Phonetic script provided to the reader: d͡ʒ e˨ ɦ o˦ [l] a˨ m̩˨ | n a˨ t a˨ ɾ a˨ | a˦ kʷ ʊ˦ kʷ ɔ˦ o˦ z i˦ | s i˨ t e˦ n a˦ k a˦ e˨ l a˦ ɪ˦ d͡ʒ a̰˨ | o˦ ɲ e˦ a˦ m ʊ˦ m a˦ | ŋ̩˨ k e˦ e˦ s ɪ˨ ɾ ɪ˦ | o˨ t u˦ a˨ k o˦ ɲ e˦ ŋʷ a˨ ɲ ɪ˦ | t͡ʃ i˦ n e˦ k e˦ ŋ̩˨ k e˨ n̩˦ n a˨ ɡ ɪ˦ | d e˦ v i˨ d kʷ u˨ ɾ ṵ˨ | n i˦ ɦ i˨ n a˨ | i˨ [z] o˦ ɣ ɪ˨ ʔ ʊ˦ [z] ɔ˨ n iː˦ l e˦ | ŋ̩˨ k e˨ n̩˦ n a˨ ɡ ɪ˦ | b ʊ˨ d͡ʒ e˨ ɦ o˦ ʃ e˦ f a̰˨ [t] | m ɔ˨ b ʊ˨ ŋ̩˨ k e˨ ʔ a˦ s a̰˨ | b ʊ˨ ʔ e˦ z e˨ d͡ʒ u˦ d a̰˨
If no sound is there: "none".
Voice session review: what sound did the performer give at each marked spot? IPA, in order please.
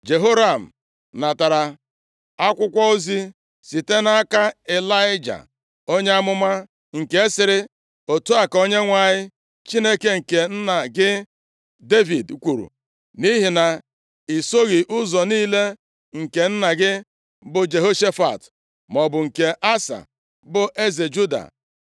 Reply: ɾ, s, z, t

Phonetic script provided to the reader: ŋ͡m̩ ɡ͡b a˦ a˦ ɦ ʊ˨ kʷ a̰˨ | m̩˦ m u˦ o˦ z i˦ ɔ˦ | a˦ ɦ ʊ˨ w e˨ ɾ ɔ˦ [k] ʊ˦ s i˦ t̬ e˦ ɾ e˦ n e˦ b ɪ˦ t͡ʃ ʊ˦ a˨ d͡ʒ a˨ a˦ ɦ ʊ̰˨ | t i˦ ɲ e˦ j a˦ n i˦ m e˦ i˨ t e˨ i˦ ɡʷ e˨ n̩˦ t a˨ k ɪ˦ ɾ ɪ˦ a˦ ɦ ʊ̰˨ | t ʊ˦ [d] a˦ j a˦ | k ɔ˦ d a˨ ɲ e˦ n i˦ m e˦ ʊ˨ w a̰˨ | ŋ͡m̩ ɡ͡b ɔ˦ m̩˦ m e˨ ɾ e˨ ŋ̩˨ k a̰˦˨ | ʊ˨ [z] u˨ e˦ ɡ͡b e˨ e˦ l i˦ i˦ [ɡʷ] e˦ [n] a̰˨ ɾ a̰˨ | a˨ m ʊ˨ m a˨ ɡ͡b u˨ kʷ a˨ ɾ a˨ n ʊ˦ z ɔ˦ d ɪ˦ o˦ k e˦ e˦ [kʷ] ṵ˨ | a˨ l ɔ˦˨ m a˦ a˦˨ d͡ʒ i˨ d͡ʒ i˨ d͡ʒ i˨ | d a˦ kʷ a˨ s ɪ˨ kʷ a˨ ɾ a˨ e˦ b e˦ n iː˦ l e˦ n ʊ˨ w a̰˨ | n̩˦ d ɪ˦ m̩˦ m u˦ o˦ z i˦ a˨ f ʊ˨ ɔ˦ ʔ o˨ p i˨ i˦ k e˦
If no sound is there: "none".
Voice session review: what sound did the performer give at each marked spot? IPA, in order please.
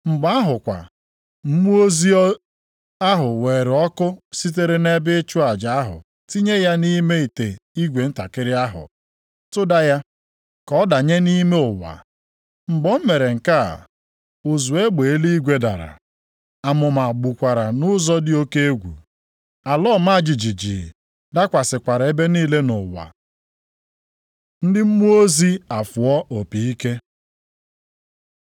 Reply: k, d, z, ɡʷ, d, ɡʷ

